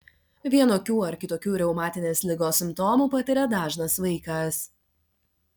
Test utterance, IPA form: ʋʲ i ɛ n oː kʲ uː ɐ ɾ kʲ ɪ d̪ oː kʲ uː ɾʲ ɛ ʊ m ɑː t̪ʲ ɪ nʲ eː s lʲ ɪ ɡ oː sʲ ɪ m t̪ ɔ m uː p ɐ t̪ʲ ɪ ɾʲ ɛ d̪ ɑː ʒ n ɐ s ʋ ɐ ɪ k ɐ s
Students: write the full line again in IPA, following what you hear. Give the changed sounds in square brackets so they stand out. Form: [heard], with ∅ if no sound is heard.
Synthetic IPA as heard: ʋʲ i ɛ n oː kʲ uː ɐ ɾ kʲ ɪ [t̪] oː kʲ uː ɾʲ ɛ ʊ m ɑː t̪ʲ ɪ nʲ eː s lʲ ɪ ɡ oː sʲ ɪ m t̪ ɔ m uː p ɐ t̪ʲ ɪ ɾʲ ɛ d̪ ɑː ʒ n ɐ s ʋ ɐ ɪ k ɐ s

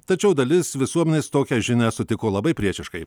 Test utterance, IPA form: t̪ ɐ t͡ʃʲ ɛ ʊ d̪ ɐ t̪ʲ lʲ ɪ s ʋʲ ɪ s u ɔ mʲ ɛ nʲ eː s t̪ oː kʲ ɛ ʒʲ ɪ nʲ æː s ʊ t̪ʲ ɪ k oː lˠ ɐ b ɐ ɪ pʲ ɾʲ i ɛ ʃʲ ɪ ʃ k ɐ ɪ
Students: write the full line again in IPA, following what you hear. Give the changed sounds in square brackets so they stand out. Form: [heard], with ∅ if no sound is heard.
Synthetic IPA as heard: t̪ ɐ t͡ʃʲ ɛ ʊ d̪ ɐ [∅] lʲ ɪ s ʋʲ ɪ s u ɔ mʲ ɛ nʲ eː s t̪ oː kʲ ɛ ʒʲ ɪ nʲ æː s ʊ t̪ʲ ɪ k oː lˠ ɐ b ɐ ɪ pʲ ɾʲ i ɛ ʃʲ ɪ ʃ k ɐ ɪ

